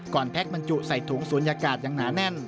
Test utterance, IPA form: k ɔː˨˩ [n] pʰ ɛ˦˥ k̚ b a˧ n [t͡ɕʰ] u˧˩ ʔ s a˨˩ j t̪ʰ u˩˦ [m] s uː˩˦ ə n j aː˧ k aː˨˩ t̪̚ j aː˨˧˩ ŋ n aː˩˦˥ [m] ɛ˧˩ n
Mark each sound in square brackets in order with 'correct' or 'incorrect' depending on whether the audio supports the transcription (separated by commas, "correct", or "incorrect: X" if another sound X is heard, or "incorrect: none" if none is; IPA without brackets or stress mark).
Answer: correct, incorrect: t͡ɕ, incorrect: ŋ, incorrect: n